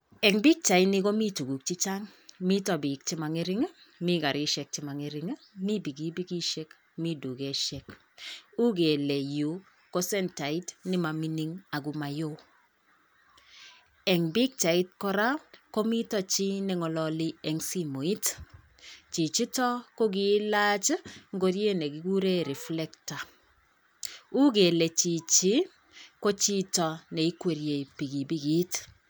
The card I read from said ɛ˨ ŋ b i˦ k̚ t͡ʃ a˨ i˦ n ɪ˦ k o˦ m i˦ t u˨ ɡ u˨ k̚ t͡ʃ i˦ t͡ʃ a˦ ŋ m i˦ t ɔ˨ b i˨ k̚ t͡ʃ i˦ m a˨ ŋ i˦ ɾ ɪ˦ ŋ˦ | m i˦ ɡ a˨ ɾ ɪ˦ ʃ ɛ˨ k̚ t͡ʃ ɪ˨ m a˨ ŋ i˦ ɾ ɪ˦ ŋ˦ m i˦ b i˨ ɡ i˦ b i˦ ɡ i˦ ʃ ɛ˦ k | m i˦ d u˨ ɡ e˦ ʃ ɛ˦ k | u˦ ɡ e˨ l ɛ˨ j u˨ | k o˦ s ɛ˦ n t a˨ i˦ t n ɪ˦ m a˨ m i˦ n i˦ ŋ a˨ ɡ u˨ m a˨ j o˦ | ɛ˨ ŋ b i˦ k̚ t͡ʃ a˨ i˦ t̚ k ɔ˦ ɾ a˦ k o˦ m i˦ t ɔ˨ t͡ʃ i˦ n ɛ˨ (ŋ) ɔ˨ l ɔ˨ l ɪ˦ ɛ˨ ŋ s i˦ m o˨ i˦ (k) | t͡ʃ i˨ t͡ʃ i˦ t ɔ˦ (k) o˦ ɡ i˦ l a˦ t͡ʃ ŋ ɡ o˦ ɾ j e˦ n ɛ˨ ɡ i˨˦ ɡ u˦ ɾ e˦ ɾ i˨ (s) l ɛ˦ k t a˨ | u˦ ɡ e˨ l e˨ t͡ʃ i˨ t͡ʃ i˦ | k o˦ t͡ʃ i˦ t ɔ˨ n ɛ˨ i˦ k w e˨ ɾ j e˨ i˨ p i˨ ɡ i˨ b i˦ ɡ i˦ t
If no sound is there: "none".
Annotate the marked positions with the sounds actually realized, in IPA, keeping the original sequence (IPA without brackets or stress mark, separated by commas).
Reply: ŋ, t, k, f